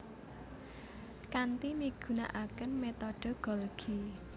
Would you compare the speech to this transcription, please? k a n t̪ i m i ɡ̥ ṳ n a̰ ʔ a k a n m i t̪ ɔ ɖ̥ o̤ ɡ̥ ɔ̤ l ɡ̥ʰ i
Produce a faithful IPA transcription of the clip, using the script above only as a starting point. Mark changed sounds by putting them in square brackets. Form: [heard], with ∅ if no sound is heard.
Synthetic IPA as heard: k a n t̪ i m i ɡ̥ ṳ n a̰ ʔ a k [ə] n m [e] t̪ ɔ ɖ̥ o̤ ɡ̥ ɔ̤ l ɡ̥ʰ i